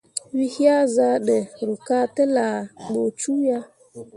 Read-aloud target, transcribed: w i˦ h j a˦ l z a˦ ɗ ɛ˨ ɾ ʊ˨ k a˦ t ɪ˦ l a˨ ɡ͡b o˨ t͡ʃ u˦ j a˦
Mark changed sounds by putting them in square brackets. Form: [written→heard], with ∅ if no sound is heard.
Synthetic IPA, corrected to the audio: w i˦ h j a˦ [l→∅] z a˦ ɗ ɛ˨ ɾ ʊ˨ k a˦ t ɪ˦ l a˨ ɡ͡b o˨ t͡ʃ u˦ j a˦